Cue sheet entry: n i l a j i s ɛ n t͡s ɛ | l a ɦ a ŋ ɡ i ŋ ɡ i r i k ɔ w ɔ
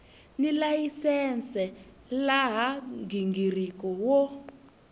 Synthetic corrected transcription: n i l a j i s ɛ n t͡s ɛ | l a ɦ a ŋ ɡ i ŋ ɡ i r i k ɔ w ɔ